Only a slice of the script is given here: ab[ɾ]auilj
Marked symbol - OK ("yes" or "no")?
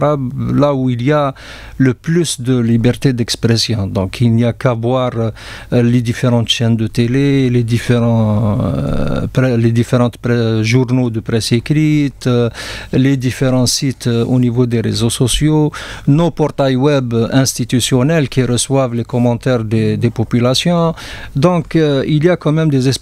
no